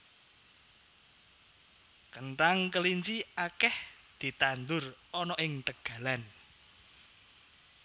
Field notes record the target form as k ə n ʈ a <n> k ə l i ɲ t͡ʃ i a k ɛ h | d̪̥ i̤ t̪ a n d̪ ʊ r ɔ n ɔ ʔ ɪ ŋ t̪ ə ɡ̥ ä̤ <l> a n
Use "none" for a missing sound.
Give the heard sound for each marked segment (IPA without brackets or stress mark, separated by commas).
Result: ŋ, l